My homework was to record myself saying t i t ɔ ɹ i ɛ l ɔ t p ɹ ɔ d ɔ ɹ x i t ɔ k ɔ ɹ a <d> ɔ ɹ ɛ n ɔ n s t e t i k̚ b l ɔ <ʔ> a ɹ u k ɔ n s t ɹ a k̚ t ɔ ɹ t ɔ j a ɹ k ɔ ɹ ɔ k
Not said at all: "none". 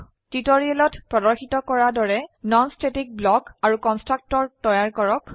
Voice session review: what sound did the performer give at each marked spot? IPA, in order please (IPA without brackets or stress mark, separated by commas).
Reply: d, k